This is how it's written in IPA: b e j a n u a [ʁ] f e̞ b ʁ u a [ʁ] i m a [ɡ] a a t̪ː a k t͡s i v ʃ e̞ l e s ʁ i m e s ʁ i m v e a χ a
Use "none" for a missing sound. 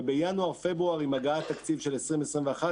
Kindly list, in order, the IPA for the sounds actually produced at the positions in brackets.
ʁ, ʁ, ɡ

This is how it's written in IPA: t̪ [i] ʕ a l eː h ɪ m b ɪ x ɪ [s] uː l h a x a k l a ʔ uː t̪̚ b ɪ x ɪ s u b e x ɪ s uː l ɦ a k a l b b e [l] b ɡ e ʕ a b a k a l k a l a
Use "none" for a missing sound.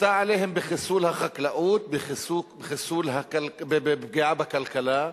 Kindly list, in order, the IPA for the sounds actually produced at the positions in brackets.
a, s, none

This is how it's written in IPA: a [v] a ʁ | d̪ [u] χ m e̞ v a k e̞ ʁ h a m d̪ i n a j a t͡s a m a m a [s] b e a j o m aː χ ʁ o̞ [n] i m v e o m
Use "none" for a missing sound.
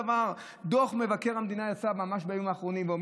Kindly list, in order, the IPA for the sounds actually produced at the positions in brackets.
v, o, ʃ, n

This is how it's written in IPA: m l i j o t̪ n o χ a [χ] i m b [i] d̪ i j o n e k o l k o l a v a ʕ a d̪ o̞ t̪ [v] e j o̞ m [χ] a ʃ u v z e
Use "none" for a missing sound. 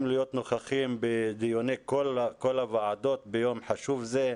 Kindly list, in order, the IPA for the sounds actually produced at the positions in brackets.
χ, e, b, ħ

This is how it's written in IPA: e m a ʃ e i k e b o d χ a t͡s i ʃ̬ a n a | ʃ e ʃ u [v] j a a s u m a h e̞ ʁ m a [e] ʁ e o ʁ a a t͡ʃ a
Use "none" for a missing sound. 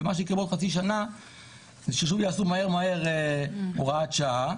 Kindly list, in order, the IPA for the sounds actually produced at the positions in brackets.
v, e

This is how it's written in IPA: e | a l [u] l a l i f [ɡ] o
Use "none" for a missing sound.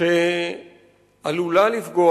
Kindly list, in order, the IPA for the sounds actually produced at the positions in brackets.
u, ɡ

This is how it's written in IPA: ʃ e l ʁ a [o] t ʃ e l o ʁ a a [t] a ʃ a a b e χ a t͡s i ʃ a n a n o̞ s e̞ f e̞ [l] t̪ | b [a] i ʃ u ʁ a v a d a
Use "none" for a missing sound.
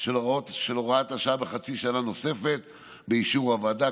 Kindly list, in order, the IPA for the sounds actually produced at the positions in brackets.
o, t, none, e

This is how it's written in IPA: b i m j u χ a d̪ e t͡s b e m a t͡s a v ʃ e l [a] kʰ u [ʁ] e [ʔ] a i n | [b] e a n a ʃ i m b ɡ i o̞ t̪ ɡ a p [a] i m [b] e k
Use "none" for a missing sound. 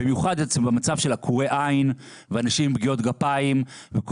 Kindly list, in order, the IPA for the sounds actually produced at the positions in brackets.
a, ʁ, ʔ, v, a, v

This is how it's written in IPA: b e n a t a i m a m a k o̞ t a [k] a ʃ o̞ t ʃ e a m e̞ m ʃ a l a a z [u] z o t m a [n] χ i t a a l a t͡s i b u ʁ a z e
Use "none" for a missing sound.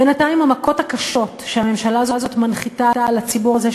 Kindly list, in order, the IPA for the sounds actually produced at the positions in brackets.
k, o, n

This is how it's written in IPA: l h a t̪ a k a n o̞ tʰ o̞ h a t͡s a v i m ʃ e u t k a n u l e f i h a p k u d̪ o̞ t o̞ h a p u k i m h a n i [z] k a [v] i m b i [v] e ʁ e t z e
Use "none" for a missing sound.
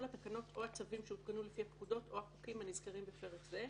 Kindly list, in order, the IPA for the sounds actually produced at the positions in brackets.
z, ʁ, f

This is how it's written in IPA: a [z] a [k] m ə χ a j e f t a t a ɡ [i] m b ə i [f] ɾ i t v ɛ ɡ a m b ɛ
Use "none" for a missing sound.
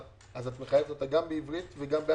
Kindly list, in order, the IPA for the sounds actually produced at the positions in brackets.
z, t, a, v

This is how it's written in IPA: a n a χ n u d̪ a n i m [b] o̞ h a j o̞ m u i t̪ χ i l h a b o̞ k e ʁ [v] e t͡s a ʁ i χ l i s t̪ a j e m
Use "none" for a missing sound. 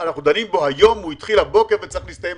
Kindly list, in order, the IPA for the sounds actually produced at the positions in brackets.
b, v

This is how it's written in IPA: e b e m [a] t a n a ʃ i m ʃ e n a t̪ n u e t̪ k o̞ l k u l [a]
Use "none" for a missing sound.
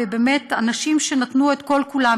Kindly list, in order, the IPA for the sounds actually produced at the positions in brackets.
e, a

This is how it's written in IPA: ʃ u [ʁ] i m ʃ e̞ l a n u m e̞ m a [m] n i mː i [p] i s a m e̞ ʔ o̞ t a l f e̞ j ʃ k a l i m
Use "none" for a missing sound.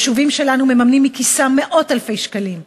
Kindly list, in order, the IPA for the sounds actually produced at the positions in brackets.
v, m, k

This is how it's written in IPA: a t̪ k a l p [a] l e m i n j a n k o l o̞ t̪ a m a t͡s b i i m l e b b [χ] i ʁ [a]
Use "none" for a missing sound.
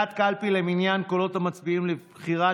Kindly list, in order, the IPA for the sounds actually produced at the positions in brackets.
i, χ, a

